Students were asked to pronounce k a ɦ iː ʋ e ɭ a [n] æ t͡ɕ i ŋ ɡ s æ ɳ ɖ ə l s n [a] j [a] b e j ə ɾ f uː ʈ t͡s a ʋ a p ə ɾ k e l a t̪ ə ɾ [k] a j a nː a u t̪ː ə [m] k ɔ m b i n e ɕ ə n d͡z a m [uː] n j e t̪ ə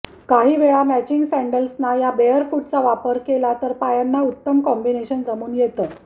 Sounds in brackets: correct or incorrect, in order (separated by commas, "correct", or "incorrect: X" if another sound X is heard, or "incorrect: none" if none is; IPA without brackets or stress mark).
incorrect: m, correct, correct, incorrect: p, correct, correct